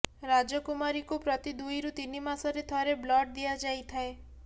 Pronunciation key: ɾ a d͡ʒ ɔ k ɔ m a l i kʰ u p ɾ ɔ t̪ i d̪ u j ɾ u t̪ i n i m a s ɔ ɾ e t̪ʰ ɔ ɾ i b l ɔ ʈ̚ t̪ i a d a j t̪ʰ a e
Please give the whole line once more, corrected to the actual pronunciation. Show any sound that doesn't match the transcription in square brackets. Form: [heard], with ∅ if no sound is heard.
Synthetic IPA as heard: ɾ a d͡ʒ ɔ k [u] m a [ɾ] i [k] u p ɾ ɔ t̪ i d̪ u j ɾ u t̪ i n i m a s ɔ ɾ e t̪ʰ ɔ ɾ [e] b l ɔ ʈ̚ [d̪] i a [d͡ʒ] a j t̪ʰ a e

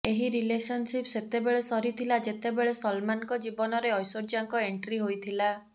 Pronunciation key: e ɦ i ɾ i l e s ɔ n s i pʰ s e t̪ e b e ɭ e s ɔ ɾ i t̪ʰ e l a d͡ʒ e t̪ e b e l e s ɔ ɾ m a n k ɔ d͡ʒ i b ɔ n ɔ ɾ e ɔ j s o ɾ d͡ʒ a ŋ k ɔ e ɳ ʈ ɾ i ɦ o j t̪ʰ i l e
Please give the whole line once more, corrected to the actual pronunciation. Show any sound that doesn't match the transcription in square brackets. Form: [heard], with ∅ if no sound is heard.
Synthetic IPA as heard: e ɦ i ɾ i l e s ɔ n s i [p] s e t̪ e b e ɭ e s ɔ ɾ i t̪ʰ [i] l a d͡ʒ e t̪ e b e [ɭ] e s ɔ [l] m a n k ɔ d͡ʒ i b ɔ n ɔ ɾ e ɔ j s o ɾ d͡ʒ a ŋ k ɔ e ɳ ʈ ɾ i ɦ o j t̪ʰ i l [a]

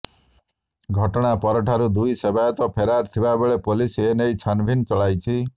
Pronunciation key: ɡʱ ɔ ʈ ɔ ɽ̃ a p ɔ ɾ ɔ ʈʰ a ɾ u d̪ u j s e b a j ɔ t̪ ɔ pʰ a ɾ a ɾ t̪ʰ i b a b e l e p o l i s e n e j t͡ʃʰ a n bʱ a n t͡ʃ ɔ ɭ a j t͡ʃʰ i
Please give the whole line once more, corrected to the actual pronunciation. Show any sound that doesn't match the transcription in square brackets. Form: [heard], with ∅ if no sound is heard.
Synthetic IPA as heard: ɡʱ ɔ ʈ ɔ ɽ̃ a p ɔ ɾ ɔ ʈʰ a ɾ u d̪ u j s e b a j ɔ t̪ ɔ pʰ [e] ɾ a ɾ t̪ʰ i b a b e [ɭ] e p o l i s e n e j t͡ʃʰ a n bʱ [i] n t͡ʃ ɔ ɭ a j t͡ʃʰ i

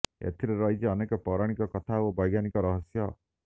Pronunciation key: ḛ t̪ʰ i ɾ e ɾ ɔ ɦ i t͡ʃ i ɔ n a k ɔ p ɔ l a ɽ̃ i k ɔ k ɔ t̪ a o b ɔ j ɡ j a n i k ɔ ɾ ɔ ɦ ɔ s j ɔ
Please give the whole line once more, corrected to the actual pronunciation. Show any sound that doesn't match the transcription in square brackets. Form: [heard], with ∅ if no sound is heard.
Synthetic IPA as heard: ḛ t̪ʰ i ɾ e ɾ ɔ ɦ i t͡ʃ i ɔ n [e] k ɔ p ɔ [ɾ] a ɽ̃ i k ɔ k ɔ [t̪ʰ] a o b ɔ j ɡ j a n i k ɔ ɾ ɔ ɦ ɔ s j ɔ

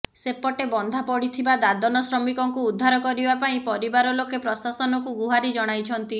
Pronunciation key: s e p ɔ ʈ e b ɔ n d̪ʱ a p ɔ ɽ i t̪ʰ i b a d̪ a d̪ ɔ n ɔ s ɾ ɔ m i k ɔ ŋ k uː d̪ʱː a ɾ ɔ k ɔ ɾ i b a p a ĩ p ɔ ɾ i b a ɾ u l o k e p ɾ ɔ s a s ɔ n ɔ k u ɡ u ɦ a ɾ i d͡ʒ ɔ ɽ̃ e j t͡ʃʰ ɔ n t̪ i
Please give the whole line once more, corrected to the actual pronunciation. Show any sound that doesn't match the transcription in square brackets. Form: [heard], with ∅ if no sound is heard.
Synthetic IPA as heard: s e p ɔ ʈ e b ɔ n d̪ʱ a p ɔ ɽ i t̪ʰ i b a d̪ a d̪ ɔ n ɔ s ɾ ɔ m i k ɔ ŋ k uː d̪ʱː a ɾ ɔ k ɔ ɾ i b a p a ĩ p ɔ ɾ i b a ɾ [ɔ] l o k e p ɾ ɔ s a s ɔ n ɔ k u ɡ u ɦ a ɾ i d͡ʒ ɔ ɽ̃ [a] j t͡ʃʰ ɔ n t̪ i

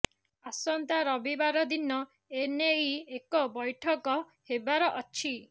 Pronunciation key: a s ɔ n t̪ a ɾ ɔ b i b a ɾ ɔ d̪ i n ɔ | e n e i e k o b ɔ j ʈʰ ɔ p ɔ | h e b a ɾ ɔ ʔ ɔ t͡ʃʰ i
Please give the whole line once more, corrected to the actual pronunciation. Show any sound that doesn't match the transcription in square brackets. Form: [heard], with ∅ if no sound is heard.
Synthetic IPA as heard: a s ɔ n t̪ a ɾ ɔ b i b a ɾ ɔ d̪ i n ɔ | e n e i e k [ɔ] b ɔ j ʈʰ ɔ [k] ɔ | h e b a ɾ ɔ ʔ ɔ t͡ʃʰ i

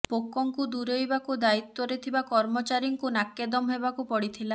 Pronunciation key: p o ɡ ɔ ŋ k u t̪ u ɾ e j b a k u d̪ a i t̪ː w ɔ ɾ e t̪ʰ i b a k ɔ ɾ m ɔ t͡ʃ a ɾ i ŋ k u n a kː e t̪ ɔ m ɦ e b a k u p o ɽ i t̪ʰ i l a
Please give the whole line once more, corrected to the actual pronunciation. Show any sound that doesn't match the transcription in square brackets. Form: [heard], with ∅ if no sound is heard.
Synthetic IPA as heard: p o [k] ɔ ŋ k u [d̪] u ɾ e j b a k u d̪ a i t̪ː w ɔ ɾ e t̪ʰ i b a k ɔ ɾ m ɔ t͡ʃ a ɾ i ŋ k u n a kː e [d̪] ɔ m ɦ e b a k u p [ɔ] ɽ i t̪ʰ i l a

